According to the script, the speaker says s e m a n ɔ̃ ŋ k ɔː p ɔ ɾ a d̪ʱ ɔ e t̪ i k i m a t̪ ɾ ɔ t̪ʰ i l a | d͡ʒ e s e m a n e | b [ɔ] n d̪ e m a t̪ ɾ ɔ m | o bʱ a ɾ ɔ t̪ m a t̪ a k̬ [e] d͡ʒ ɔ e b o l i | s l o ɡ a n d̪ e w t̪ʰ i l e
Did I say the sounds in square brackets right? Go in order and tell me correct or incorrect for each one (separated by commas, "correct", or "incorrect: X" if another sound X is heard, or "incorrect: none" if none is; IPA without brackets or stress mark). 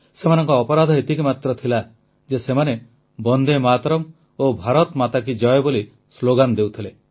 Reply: correct, incorrect: i